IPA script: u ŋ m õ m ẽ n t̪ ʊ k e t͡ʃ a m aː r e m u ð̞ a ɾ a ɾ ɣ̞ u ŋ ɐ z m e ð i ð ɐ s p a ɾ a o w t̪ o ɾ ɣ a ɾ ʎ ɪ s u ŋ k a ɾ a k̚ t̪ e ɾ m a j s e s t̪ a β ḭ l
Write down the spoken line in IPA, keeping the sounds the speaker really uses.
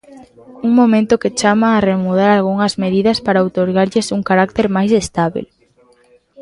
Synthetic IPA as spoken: u ŋ m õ m ẽ n t̪ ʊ k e t͡ʃ a m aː r e m u ð̞ a ɾ a l ɣ̞ u ŋ ɐ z m e ð i ð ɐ s p a ɾ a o w t̪ o ɾ ɣ a ɾ ʎ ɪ s u ŋ k a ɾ a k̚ t̪ e ɾ m a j s e s t̪ a β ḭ l